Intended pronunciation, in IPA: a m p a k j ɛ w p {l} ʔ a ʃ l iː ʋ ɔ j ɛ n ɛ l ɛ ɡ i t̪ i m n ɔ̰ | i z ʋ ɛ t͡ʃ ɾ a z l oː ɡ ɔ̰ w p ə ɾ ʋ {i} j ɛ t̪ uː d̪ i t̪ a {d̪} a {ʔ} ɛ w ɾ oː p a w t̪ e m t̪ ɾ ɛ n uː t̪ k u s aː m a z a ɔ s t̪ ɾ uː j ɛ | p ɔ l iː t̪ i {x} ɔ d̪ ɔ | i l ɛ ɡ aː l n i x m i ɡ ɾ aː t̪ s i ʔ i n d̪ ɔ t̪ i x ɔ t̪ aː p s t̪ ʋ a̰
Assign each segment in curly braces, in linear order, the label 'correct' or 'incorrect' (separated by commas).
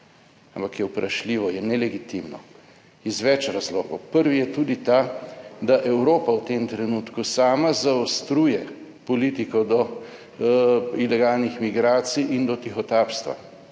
incorrect, correct, correct, correct, incorrect